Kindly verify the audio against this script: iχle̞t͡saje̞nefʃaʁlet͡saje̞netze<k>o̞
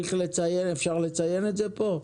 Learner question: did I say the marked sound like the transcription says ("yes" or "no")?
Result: no